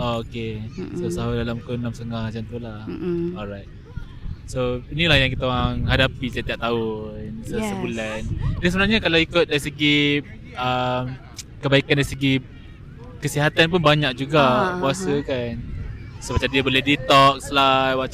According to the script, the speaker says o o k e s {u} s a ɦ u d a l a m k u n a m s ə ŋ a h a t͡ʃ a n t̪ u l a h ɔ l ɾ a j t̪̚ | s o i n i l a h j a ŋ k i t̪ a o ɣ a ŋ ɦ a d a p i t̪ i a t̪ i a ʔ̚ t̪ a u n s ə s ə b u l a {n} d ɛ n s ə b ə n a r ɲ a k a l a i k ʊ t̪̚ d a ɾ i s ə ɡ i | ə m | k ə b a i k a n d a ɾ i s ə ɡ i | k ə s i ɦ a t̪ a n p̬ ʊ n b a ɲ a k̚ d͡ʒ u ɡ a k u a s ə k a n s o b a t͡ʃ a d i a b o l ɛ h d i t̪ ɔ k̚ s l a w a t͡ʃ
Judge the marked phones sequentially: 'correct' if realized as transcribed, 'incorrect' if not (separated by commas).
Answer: incorrect, correct